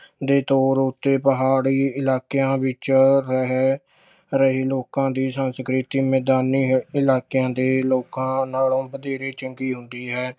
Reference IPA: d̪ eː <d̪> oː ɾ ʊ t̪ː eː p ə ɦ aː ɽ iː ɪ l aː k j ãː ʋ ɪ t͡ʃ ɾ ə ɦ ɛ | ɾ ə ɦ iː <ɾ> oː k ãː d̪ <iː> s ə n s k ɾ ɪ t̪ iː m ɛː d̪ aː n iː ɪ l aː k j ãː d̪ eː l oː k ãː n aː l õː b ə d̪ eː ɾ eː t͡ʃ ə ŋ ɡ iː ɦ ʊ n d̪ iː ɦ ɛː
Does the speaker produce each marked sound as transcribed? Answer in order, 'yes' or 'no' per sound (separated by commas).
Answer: no, no, yes